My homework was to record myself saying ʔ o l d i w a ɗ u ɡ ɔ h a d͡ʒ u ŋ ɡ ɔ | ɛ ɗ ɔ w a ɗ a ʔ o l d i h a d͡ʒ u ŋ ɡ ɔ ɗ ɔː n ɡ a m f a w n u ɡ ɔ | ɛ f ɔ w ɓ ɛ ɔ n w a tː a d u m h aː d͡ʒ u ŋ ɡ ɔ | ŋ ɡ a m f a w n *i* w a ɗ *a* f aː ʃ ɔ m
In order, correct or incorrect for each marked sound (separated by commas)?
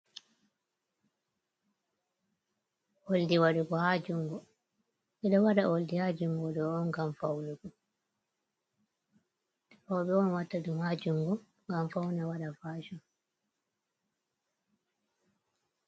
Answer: incorrect, correct